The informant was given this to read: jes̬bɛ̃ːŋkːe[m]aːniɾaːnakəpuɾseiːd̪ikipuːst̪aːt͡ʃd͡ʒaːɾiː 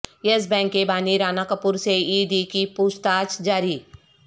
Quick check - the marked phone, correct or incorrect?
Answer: incorrect